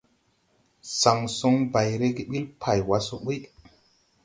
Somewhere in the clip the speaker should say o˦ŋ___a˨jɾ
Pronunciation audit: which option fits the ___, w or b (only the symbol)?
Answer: b